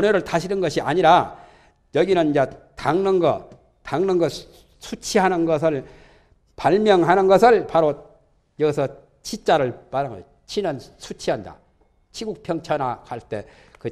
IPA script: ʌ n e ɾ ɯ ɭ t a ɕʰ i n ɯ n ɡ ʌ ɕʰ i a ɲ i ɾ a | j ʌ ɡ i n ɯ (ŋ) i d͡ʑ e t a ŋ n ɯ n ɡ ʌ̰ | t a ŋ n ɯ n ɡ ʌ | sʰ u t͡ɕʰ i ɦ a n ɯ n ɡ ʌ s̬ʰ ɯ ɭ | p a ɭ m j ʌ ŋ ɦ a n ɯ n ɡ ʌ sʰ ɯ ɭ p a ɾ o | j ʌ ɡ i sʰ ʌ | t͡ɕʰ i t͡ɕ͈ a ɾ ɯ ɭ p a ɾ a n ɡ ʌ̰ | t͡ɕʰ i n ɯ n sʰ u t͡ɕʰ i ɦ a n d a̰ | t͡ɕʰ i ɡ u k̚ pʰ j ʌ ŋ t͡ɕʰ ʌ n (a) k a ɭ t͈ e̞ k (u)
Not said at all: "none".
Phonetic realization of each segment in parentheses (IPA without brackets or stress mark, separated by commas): n, a, ɯ